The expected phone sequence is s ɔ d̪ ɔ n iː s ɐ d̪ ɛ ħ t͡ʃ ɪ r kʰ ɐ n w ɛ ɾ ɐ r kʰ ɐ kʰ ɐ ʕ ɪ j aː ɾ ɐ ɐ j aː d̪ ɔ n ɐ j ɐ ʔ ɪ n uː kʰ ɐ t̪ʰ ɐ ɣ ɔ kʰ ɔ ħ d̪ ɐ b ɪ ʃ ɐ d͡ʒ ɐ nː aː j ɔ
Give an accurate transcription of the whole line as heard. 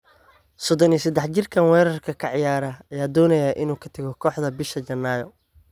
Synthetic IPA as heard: s ɔ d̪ ɔ n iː s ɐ d̪ ɛ ħ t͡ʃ ɪ r kʰ ɐ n w ɛː ɾ ɐ r kʰ ɐ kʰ ɐ ʕ ɪ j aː ɾ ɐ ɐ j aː d̪ ɔː n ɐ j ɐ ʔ ɪ n uː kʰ ɐ t̪ʰ ɐ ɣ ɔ kʰ ɔː ħ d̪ ɐ b ɪ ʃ ɐ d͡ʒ ɐ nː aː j ɔ